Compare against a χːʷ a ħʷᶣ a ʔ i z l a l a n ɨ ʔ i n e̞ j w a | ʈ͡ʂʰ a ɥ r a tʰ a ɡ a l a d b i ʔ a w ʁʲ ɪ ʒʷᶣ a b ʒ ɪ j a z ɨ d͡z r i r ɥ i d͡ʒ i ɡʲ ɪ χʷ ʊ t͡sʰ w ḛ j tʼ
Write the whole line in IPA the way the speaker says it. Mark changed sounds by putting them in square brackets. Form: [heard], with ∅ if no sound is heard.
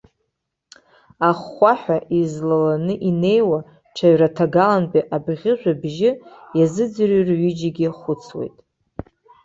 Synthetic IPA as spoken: a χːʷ a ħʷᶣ a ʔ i z l a l a n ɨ ʔ i n e̞ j w a | ʈ͡ʂʰ a ɥ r a tʰ a ɡ a l a [n] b i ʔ a [b] ʁʲ ɪ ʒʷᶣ a b ʒ ɪ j a z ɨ d͡z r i r ɥ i d͡ʒ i ɡʲ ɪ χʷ ʊ t͡sʰ w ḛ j tʼ